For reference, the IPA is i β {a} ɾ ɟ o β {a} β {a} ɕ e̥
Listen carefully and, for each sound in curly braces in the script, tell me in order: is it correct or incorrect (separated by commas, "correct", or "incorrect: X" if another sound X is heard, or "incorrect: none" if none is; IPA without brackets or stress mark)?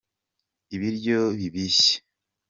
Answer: incorrect: i, incorrect: i, incorrect: i